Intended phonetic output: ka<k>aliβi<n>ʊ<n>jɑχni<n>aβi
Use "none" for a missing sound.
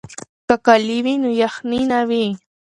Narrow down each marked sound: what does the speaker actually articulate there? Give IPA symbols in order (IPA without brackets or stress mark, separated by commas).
k, n, none, n